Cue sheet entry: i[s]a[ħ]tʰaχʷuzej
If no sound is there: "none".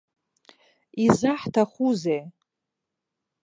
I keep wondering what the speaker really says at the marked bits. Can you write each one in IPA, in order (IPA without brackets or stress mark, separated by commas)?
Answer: z, ħ